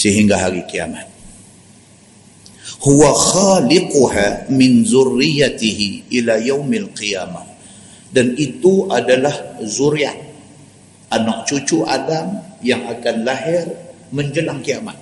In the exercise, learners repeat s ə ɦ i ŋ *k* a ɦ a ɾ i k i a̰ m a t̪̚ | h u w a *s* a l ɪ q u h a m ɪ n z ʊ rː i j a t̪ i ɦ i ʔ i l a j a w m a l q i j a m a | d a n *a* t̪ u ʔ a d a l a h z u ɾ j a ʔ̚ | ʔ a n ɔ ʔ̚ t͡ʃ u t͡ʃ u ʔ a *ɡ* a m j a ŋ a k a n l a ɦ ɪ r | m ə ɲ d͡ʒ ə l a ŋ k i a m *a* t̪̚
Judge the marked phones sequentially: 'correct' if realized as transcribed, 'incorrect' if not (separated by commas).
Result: incorrect, incorrect, incorrect, incorrect, correct